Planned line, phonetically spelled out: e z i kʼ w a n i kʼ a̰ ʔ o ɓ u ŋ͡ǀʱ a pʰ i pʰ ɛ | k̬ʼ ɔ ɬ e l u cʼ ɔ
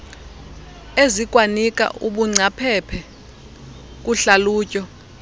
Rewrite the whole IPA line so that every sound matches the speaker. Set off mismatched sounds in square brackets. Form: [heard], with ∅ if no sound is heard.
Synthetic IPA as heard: e z i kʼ w a n i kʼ a̰ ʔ [u] ɓ u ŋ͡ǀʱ a pʰ [ɛ] pʰ ɛ | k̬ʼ [u] ɬ [a] l [uː] cʼ ɔ

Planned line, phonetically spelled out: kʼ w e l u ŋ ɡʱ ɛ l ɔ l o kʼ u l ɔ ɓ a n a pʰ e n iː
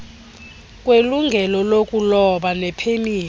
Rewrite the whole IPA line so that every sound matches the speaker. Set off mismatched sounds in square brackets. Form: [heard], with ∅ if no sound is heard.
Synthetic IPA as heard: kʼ w e l u ŋ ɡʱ ɛ l ɔ l o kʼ u l ɔ ɓ a n [ɛ] pʰ e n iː

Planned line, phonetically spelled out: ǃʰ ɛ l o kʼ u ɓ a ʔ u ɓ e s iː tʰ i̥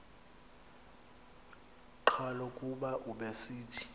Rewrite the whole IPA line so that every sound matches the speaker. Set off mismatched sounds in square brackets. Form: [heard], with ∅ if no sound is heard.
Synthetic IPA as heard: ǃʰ [a] l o kʼ u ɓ a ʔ u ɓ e s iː tʰ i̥

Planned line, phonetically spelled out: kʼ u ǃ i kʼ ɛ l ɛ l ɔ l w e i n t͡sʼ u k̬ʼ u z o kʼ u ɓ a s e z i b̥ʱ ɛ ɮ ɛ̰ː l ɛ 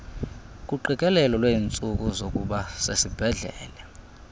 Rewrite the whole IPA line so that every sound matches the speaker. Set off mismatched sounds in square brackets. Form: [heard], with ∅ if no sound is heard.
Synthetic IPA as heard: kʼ u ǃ i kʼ ɛ l ɛ l ɔ l w e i n t͡sʼ u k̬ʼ u z o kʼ u ɓ a s e [s] i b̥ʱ ɛ ɮ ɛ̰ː l ɛ

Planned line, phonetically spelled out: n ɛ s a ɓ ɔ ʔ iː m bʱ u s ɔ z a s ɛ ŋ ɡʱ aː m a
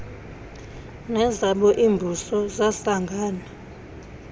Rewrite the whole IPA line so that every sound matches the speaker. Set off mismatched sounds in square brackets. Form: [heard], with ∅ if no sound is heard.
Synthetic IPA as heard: n ɛ [z] a ɓ ɔ ʔ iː m bʱ u s ɔ z a s [a] ŋ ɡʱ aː [n] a

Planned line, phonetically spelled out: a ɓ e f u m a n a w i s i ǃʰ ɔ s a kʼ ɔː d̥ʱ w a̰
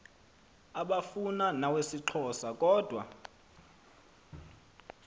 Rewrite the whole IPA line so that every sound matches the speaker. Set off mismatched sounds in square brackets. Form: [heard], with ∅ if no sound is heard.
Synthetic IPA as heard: a ɓ [a] f u [n] a n a w [e] s i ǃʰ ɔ s a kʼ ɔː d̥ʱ w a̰

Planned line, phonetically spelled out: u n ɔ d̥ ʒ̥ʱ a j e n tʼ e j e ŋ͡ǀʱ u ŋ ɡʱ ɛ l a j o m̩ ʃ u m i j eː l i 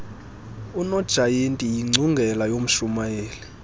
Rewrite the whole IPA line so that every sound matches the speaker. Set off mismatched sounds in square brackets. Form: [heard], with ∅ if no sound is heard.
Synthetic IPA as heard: u n ɔ d̥ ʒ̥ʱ a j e n tʼ [i] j [i] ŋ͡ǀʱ u ŋ ɡʱ ɛ l a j o m̩ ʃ u m [a] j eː l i

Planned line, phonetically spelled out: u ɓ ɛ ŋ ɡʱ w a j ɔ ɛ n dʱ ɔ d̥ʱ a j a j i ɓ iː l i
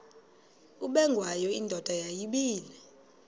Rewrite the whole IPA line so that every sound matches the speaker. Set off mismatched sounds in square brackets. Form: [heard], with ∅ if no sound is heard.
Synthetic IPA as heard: u ɓ ɛ ŋ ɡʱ w a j ɔ [i] n dʱ ɔ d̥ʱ a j a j i ɓ iː l [ɛ]

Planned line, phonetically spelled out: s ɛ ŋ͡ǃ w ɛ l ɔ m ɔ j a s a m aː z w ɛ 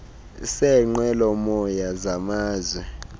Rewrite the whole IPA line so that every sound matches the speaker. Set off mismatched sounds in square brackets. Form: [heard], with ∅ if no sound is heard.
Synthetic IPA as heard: s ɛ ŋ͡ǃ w ɛ l ɔ m ɔ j a [z] a m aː z w ɛ

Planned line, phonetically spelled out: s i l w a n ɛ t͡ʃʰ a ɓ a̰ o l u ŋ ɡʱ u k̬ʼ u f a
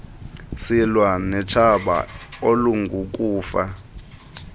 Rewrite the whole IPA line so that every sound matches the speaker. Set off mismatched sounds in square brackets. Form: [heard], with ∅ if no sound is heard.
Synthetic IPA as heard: s i l w a n ɛ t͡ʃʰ a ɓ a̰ o l u ŋ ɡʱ u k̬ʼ [uː] f a

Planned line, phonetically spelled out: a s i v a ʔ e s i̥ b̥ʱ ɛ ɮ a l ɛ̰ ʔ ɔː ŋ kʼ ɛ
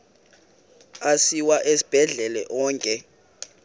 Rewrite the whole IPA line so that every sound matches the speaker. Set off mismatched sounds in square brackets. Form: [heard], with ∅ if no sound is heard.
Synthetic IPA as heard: a s i [w] a ʔ e s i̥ b̥ʱ ɛ ɮ [ɛ] l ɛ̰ ʔ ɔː ŋ kʼ ɛ

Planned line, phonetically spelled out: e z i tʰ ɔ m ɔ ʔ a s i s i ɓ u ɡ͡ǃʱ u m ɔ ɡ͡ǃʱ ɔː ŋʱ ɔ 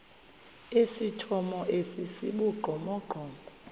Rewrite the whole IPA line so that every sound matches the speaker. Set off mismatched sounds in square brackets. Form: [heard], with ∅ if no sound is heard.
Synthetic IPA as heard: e [s] i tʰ ɔ m ɔ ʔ [e] s i s i ɓ u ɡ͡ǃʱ [ɔ] m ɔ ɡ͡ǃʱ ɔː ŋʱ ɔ

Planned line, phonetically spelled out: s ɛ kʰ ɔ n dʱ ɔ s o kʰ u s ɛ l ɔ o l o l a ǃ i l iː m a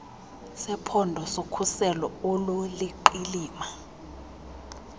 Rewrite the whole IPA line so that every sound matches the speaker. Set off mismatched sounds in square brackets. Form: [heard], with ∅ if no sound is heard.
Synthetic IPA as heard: s ɛ [pʰ] ɔ n dʱ ɔ s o kʰ u s ɛ l ɔ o l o l [i] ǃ i l iː m a

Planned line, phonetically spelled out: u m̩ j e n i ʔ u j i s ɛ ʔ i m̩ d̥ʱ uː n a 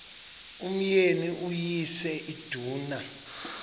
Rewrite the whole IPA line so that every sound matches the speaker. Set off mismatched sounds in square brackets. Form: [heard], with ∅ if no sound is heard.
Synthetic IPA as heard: u m̩ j e n i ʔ u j i s ɛ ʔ i [∅] d̥ʱ uː n a

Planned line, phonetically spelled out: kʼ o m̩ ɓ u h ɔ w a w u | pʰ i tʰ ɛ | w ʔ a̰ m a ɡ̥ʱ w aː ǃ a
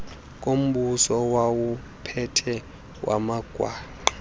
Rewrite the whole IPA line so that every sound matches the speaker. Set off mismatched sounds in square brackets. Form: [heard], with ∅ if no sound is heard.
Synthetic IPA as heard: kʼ o m̩ ɓ u [s] ɔ w a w u | pʰ [ɛ] tʰ ɛ | w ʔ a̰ m a ɡ̥ʱ w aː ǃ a

